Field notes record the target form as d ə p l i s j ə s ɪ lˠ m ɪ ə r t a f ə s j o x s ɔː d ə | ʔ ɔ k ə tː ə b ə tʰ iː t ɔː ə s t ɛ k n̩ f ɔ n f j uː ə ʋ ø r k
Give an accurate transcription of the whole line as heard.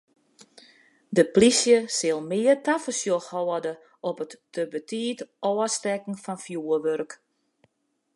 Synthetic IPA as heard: d ə p l i s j ə s ɪ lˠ m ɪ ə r t a f ə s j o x h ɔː d ə | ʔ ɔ p ə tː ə b ə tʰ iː t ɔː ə s t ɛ k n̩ f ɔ n f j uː ə ʋ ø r k